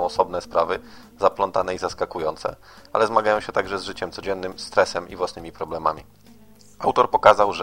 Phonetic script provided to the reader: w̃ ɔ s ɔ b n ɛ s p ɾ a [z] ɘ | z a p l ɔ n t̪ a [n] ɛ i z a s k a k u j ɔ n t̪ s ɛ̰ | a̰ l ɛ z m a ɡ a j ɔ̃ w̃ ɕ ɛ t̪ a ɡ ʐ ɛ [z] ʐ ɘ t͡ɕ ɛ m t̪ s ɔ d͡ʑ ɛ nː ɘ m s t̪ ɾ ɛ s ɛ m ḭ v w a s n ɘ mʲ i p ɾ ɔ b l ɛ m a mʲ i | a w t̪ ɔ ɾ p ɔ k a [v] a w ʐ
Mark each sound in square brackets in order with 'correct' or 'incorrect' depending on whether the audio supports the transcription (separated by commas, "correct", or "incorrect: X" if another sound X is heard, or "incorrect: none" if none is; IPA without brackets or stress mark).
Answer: incorrect: v, correct, correct, incorrect: z